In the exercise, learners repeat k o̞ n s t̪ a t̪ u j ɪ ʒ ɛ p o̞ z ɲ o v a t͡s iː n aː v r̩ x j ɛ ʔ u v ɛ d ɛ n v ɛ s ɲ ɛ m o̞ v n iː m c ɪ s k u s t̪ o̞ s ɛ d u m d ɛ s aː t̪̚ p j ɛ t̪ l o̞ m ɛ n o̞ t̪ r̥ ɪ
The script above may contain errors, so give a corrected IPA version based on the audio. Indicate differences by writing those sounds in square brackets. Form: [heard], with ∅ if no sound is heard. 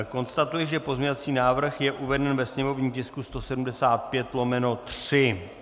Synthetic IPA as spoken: k o̞ n s t̪ a t̪ u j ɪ ʒ ɛ p o̞ z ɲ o v a t͡s iː n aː v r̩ x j ɛ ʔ u v ɛ d ɛ n v ɛ s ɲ ɛ m o̞ v [ɲ] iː m c ɪ s k u s t̪ o̞ s ɛ d u m d ɛ s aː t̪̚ p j ɛ t̪ l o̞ m ɛ n o̞ t̪ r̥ ɪ